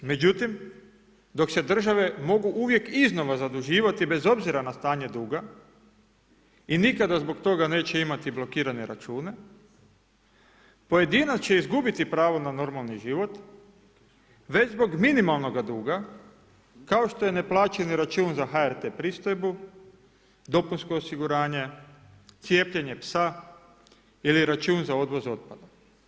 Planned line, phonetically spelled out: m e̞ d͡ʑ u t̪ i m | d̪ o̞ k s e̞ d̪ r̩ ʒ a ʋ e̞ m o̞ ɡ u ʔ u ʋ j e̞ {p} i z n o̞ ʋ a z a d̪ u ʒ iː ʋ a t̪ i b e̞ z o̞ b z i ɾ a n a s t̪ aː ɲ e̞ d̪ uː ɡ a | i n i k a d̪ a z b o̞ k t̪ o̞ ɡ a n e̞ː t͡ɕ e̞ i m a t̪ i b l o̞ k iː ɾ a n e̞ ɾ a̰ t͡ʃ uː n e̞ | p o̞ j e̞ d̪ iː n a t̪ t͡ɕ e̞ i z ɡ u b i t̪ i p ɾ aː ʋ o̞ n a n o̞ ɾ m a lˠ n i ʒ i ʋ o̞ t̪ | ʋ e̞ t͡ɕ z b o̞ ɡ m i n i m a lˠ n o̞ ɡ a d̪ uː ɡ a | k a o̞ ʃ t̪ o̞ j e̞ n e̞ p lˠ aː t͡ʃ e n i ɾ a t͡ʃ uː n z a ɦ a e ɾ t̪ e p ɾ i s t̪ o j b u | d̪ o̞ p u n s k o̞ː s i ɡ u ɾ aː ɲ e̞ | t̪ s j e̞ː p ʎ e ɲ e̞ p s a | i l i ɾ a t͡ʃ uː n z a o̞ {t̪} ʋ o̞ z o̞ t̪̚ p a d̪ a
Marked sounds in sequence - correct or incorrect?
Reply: incorrect, incorrect

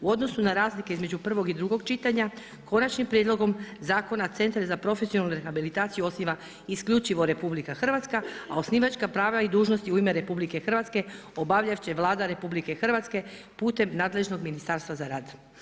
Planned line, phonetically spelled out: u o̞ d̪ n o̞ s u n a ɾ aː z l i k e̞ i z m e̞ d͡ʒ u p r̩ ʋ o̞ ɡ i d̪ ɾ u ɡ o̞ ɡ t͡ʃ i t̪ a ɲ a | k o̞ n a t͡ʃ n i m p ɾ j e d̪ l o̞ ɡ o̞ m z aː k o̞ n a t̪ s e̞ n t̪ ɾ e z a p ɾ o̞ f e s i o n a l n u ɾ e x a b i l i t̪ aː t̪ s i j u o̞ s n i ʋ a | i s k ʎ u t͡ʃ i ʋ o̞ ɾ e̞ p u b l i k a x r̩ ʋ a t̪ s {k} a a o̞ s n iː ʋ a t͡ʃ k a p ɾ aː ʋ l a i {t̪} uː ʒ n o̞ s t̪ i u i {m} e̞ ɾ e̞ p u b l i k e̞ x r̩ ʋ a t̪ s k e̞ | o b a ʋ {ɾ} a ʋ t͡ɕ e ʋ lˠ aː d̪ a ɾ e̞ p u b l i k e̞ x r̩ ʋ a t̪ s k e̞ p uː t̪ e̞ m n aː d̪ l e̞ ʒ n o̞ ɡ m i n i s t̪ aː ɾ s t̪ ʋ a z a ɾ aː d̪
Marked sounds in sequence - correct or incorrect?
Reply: correct, incorrect, correct, incorrect

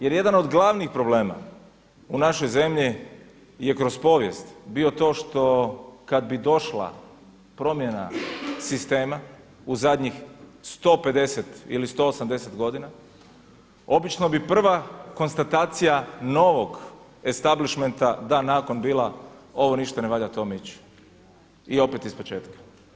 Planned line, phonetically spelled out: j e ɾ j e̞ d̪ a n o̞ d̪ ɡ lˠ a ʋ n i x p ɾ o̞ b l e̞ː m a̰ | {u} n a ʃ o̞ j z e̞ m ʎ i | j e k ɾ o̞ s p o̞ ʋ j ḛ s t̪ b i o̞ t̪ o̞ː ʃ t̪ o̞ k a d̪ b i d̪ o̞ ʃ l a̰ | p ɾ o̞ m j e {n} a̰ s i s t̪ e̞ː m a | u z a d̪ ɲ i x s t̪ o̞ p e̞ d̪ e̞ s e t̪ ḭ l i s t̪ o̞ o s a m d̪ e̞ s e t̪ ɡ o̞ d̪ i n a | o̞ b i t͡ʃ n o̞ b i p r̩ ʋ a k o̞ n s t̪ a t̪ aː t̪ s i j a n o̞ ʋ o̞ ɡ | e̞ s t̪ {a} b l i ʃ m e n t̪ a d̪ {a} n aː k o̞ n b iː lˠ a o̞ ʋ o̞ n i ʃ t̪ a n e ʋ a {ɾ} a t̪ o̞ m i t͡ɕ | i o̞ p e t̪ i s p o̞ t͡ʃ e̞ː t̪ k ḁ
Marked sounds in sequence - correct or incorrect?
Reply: correct, correct, correct, correct, incorrect

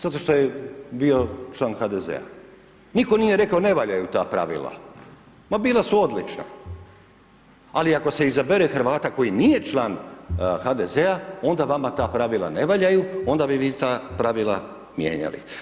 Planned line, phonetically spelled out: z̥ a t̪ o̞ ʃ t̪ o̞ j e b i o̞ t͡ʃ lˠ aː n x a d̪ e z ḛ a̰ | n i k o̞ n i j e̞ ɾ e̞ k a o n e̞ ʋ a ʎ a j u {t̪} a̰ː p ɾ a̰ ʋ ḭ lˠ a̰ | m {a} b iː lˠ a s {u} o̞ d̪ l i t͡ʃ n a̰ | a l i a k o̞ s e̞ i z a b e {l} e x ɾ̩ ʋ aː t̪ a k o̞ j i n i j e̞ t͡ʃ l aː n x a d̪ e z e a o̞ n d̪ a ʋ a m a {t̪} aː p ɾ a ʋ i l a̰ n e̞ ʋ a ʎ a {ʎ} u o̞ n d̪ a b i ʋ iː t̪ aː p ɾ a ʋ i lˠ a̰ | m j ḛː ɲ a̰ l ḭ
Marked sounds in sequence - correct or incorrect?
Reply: correct, correct, correct, incorrect, correct, incorrect

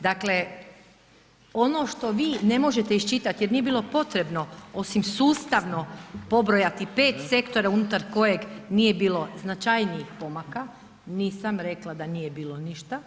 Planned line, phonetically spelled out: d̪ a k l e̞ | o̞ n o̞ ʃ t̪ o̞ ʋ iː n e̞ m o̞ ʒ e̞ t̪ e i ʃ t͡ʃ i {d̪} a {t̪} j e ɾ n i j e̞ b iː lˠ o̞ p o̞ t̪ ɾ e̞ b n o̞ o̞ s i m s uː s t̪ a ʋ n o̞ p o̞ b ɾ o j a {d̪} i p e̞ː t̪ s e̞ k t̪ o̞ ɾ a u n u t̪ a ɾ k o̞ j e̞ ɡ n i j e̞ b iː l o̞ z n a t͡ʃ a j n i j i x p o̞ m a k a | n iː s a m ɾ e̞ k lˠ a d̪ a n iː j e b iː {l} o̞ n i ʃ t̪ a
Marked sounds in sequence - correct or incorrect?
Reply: incorrect, correct, incorrect, correct

